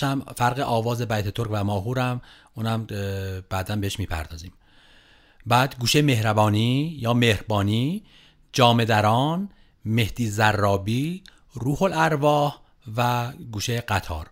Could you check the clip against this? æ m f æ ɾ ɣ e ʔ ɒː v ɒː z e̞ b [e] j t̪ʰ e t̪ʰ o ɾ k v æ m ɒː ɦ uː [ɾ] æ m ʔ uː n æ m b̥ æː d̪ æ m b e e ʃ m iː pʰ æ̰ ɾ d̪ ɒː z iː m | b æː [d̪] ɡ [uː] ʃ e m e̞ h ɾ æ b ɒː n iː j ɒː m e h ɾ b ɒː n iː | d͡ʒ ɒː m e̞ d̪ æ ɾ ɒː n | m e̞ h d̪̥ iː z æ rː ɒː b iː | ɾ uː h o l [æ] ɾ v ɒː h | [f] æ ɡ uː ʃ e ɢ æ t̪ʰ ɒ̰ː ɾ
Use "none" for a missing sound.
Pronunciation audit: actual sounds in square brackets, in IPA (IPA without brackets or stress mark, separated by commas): æ, ɾ, d̪, uː, æ, v